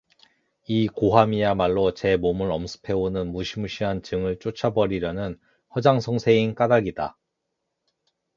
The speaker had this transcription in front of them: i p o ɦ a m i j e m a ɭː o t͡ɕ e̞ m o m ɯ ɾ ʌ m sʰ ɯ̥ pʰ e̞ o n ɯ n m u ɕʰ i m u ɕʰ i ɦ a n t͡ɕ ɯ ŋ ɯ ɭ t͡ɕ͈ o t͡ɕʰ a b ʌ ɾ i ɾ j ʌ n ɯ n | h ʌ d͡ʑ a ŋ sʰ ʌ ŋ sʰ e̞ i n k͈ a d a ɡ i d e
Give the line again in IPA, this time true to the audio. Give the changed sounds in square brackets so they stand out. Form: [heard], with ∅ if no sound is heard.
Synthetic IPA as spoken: i [k] o ɦ a m i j [a] m a ɭː o t͡ɕ e̞ m o m ɯ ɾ ʌ m sʰ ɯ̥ pʰ e̞ o n ɯ n m u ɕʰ i m u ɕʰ i ɦ a n t͡ɕ ɯ ŋ ɯ ɭ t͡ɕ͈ o t͡ɕʰ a b ʌ ɾ i ɾ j ʌ n ɯ n | h ʌ d͡ʑ a ŋ sʰ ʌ ŋ sʰ e̞ i n k͈ a d a ɡ i d [a]